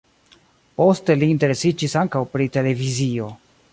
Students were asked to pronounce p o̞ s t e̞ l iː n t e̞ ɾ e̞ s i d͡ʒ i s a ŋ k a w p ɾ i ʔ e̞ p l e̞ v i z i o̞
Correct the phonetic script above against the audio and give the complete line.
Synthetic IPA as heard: p o̞ s t e̞ l iː n t e̞ ɾ e̞ s i d͡ʒ i s a ŋ k a w p ɾ i t e̞ l e̞ v i z i o̞